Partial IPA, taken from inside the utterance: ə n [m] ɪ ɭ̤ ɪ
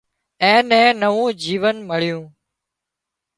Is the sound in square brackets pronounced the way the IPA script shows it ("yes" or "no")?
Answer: yes